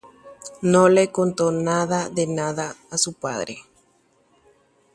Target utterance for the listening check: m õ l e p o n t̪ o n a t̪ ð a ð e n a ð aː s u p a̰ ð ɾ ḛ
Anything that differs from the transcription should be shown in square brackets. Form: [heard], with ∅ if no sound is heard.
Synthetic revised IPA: [n] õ l e [k] o n t̪ o n a [∅] ð a ð e n a ð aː s u p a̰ ð ɾ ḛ